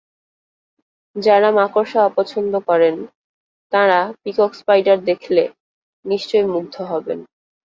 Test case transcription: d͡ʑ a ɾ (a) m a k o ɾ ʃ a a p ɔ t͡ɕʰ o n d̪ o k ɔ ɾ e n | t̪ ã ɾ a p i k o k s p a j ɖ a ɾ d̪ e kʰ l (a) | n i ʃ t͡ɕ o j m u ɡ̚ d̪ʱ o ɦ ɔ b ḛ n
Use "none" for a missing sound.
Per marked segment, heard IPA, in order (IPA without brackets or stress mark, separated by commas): a, e